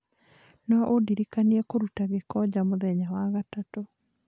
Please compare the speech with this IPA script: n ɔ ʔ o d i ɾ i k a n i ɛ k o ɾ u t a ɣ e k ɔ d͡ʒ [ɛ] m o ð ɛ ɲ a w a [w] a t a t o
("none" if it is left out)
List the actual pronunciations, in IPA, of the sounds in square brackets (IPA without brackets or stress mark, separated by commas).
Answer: a, ɣ